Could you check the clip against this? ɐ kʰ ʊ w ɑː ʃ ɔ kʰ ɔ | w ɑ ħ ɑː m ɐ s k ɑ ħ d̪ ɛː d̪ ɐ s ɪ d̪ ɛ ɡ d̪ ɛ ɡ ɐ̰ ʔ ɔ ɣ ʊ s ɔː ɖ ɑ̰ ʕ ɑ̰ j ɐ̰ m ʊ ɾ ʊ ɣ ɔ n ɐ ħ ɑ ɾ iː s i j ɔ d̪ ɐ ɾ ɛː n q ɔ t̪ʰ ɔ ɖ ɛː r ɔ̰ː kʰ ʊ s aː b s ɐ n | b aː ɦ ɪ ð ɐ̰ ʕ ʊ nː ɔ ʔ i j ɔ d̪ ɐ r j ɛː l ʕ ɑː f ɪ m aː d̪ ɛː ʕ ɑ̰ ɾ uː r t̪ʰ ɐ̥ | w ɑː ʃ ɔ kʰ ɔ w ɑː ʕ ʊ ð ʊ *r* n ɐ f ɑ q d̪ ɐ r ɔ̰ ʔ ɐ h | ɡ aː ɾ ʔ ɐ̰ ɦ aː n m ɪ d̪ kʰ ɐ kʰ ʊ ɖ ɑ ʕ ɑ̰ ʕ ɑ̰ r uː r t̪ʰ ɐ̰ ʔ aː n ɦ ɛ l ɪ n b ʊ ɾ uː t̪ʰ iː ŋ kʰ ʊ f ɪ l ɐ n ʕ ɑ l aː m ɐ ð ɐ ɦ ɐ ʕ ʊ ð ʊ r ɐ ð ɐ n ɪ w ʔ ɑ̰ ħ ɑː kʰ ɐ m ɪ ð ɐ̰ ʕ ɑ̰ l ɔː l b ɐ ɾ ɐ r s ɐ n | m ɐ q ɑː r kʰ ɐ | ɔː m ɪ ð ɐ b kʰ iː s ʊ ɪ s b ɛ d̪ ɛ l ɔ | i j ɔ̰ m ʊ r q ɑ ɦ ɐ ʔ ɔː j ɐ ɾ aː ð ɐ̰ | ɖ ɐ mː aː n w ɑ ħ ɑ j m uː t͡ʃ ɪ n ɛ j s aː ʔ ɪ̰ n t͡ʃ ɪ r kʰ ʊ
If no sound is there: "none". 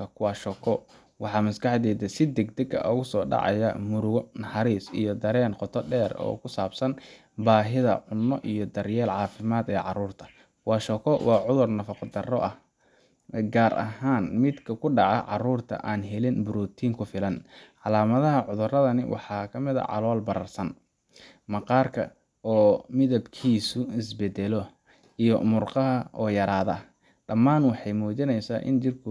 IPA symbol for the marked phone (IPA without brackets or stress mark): r